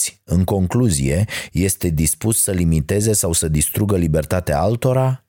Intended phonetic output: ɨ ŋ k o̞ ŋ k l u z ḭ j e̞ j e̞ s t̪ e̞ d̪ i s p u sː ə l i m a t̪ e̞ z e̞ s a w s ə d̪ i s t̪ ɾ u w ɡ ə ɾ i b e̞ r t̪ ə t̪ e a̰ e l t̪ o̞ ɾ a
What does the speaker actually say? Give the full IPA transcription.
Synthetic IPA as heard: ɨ ŋ k o̞ ŋ k l u z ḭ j e̞ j e̞ s t̪ e̞ d̪ i s p u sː ə l i m i t̪ e̞ z e̞ s a w s ə d̪ i s t̪ ɾ u ɡ ə l i b e̞ r t̪ a t̪ e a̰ a l t̪ o̞ ɾ a